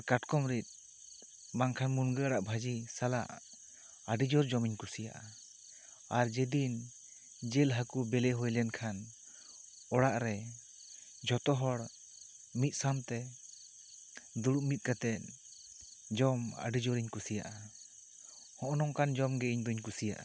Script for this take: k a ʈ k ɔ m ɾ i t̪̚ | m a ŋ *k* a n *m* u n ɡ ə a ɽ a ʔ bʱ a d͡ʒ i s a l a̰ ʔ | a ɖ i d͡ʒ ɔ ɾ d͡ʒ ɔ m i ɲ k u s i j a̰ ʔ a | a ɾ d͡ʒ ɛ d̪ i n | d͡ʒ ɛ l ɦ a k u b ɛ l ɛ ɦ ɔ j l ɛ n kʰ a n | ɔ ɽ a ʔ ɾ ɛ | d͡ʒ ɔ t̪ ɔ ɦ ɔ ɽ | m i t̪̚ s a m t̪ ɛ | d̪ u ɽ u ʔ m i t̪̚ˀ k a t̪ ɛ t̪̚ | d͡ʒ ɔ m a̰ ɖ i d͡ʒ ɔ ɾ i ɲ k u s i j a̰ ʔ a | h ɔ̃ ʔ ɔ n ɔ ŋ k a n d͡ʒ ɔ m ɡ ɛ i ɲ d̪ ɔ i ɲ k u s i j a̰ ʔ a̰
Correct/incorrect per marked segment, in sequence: incorrect: kʰ, correct

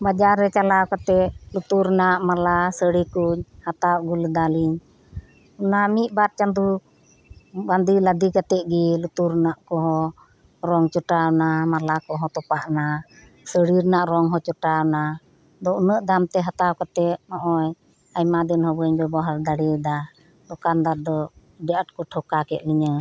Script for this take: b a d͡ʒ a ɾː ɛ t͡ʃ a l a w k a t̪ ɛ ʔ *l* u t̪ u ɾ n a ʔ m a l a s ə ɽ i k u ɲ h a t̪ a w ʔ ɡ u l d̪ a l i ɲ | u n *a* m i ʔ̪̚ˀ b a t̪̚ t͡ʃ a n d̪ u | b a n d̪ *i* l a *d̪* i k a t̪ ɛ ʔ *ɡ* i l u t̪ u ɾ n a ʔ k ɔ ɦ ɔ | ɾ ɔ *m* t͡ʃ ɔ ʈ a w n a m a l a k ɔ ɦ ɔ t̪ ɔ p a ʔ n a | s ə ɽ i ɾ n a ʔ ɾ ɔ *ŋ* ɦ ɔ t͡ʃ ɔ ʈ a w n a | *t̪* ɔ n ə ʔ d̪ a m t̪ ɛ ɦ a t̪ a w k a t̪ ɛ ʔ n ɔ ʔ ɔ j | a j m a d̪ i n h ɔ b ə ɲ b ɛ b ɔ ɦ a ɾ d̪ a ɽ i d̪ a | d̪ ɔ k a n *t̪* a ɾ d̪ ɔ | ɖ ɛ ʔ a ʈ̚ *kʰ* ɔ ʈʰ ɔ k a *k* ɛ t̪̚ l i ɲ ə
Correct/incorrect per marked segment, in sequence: correct, correct, correct, correct, correct, incorrect: ŋ, correct, incorrect: d̪, incorrect: d̪, incorrect: k, correct

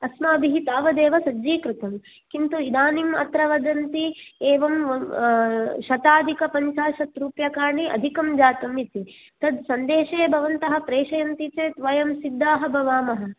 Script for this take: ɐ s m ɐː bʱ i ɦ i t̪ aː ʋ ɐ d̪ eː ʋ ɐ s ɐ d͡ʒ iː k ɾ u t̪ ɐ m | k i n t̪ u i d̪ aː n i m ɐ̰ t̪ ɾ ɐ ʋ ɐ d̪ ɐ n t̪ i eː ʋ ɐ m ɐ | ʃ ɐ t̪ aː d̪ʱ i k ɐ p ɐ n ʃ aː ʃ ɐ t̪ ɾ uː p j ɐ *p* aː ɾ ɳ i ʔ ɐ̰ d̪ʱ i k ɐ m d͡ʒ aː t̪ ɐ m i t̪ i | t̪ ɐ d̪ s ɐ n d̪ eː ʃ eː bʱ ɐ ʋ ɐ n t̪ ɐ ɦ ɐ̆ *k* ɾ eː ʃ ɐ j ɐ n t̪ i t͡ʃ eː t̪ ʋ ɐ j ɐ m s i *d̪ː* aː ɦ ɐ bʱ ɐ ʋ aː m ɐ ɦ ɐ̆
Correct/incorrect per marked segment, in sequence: incorrect: k, incorrect: p, correct

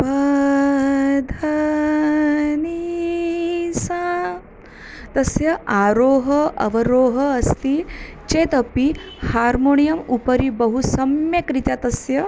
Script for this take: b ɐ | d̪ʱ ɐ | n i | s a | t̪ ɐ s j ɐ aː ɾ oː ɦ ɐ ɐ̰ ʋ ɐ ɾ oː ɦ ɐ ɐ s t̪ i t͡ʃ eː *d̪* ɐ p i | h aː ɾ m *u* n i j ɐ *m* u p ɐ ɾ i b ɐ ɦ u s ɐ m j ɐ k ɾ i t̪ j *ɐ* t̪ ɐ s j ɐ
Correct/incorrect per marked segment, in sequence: incorrect: t̪, incorrect: o, correct, incorrect: a

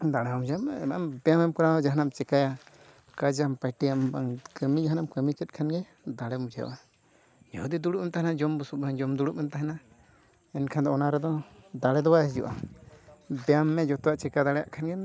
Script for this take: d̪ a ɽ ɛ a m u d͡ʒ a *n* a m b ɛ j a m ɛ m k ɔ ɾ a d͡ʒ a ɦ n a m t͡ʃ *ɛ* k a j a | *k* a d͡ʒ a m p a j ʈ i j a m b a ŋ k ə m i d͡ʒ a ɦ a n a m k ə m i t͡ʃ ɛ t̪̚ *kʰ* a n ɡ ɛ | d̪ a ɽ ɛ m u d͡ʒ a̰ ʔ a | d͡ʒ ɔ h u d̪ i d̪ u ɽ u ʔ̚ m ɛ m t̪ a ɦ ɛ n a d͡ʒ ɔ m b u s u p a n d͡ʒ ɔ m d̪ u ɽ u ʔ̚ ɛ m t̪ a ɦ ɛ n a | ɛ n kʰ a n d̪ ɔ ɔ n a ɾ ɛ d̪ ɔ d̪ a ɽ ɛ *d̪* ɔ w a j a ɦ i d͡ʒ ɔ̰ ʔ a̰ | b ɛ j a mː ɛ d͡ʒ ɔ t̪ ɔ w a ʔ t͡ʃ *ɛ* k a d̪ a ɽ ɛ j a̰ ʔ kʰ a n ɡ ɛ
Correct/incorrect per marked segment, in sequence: incorrect: m, correct, correct, correct, correct, correct

